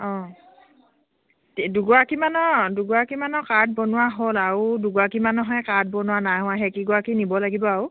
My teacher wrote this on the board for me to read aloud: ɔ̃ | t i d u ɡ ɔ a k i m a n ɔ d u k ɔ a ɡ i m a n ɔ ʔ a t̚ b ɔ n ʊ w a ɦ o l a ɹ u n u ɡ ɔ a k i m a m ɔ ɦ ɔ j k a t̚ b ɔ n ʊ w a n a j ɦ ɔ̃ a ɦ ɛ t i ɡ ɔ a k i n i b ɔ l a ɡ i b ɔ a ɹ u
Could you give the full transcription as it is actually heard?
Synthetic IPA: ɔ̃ | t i d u ɡ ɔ a k i m a n ɔ d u ɡ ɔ a k i m a n ɔ k a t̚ b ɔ n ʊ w a ɦ o l a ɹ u d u ɡ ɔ a k i m a n ɔ ɦ ɔ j k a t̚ b ɔ n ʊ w a n a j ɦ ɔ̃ a ɦ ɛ k i ɡ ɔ a k i n i b ɔ l a ɡ i b ɔ a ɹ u